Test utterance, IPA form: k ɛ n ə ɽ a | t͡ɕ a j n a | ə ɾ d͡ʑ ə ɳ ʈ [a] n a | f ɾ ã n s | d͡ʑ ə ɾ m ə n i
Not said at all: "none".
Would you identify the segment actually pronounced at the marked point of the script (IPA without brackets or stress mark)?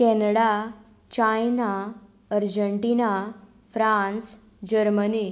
i